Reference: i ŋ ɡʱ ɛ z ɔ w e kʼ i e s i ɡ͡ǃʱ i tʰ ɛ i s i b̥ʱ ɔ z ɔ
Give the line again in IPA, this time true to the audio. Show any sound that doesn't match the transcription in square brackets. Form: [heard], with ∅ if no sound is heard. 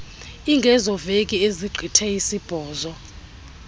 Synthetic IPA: i ŋ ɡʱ ɛ z ɔ [v] e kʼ i e [z] i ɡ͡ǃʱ i tʰ ɛ i s i b̥ʱ [ɔː] z ɔ